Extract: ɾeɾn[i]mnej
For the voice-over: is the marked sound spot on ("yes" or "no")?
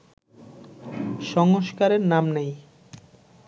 no